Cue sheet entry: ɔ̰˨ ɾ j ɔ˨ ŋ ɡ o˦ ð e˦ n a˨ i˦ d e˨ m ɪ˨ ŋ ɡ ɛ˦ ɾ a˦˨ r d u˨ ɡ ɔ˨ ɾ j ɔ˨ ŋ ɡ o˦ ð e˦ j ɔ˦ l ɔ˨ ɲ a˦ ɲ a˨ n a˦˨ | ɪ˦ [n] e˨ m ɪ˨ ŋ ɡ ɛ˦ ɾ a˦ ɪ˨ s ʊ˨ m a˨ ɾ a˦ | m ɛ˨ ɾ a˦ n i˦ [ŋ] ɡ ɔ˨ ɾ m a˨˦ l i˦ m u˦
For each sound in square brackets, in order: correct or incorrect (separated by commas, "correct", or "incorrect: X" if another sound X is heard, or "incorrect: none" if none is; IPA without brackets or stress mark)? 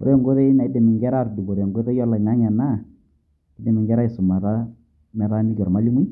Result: incorrect: d, incorrect: none